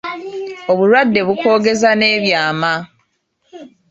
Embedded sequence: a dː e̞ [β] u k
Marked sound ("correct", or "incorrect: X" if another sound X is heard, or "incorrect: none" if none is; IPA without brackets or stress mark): correct